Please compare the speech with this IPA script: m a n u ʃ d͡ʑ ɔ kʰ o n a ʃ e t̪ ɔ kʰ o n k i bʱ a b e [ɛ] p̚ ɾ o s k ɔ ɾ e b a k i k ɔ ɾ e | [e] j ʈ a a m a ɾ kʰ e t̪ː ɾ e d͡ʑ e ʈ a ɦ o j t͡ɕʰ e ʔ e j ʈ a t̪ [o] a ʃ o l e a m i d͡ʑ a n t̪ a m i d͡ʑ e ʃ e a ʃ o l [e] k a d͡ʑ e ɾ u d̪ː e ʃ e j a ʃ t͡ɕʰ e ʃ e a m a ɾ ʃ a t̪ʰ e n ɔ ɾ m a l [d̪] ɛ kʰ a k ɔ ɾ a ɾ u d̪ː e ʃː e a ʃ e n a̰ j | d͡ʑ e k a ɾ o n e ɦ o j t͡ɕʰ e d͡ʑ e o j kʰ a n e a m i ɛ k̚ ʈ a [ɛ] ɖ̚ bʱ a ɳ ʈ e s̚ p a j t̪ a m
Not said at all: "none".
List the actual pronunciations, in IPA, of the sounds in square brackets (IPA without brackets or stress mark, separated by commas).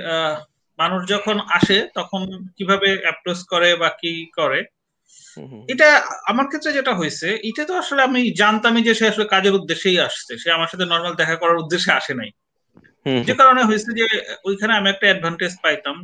ɛ, e, o, e, d̪, ɛ